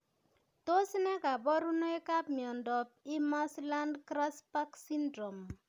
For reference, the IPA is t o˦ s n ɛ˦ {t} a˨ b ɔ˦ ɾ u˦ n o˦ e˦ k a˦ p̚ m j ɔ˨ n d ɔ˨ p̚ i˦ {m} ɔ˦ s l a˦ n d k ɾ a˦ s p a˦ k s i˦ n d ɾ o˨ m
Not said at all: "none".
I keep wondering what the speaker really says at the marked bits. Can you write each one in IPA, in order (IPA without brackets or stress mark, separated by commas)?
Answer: k, m